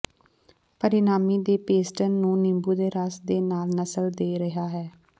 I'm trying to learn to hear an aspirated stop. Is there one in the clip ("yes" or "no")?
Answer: no